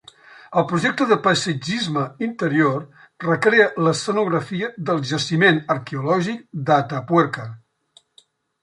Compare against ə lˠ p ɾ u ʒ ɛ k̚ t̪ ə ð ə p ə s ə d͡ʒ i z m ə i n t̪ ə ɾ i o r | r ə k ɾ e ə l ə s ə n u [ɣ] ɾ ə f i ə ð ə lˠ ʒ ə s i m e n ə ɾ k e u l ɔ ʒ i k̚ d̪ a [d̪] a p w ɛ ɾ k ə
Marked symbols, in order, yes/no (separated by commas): yes, no